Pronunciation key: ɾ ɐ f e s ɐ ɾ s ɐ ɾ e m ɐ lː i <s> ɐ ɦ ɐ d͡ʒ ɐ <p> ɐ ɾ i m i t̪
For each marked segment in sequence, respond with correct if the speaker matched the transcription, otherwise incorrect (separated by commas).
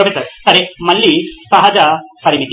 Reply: correct, correct